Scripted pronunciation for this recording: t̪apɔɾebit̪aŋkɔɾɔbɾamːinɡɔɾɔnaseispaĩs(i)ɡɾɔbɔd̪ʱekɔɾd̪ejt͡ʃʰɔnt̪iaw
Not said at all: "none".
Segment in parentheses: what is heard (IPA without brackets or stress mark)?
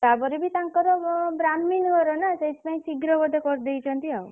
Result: i